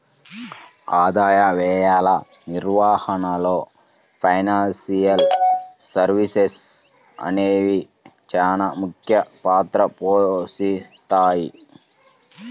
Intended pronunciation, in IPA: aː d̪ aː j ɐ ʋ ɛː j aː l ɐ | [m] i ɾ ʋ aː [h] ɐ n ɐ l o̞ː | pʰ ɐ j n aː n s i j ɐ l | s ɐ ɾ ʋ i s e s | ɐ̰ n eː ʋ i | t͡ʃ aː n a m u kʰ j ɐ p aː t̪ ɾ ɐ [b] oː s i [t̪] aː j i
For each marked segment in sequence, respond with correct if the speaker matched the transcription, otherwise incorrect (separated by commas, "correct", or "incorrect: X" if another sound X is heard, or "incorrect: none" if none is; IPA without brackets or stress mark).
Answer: incorrect: n, correct, incorrect: p, correct